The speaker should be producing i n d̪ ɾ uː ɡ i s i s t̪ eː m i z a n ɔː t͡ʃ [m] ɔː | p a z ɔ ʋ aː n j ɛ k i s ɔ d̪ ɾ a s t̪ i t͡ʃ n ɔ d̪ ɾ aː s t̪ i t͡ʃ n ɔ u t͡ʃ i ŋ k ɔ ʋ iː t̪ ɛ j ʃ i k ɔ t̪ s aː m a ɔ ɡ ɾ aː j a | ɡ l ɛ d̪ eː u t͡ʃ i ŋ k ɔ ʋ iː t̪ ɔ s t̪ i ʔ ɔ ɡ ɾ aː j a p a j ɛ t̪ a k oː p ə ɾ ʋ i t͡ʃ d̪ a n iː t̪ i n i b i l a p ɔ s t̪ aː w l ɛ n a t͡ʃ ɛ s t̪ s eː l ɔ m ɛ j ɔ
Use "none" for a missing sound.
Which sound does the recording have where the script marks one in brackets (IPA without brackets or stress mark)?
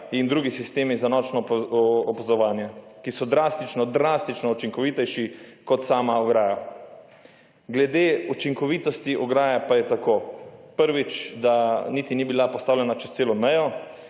n